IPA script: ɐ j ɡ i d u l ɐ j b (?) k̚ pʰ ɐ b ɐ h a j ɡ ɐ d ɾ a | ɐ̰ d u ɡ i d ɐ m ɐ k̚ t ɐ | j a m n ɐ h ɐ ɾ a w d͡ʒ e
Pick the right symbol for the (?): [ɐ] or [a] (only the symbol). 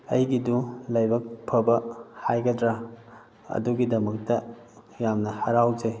ɐ